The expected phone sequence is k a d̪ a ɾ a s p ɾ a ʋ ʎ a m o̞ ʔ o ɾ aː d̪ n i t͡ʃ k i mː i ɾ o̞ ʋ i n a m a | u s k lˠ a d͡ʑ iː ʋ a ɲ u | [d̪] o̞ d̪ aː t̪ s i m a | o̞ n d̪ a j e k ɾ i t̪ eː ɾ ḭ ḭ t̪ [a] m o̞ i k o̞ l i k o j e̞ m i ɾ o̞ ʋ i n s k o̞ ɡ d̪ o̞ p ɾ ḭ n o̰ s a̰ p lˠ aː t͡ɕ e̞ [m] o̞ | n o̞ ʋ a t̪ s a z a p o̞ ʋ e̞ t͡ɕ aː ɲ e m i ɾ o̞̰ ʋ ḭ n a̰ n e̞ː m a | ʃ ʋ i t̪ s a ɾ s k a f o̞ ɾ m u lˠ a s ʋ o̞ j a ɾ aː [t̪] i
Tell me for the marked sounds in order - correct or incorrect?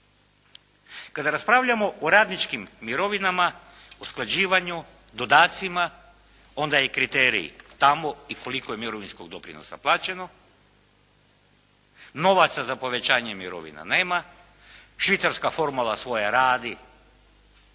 correct, correct, incorrect: n, incorrect: d̪

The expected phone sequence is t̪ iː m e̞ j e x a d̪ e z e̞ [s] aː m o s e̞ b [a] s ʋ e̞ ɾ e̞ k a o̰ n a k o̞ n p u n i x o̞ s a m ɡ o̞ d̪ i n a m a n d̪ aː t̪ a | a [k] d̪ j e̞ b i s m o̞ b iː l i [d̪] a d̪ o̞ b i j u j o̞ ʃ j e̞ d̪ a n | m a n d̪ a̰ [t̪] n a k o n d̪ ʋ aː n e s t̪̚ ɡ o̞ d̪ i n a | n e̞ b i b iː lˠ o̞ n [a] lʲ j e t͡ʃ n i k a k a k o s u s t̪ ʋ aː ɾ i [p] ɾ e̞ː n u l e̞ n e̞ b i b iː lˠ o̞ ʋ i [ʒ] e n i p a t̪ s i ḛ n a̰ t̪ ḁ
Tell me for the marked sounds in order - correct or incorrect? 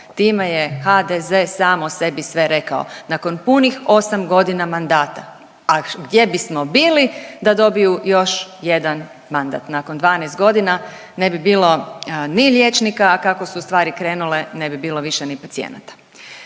correct, incorrect: i, incorrect: ɡ, correct, correct, incorrect: i, incorrect: k, incorrect: ʃ

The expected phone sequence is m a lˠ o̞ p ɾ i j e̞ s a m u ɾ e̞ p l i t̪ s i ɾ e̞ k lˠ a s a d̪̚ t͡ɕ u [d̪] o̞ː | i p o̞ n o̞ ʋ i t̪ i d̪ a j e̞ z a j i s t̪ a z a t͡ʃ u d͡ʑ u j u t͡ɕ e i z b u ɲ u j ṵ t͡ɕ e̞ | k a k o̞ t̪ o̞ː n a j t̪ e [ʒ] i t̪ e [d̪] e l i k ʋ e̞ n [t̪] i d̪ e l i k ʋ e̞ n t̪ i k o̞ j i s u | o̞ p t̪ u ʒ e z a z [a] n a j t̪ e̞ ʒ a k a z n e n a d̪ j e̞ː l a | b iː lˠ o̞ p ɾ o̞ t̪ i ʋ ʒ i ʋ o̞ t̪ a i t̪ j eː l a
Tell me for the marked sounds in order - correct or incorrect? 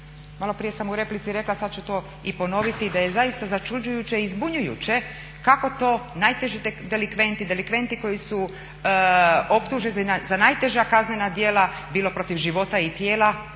incorrect: t̪, correct, correct, correct, correct

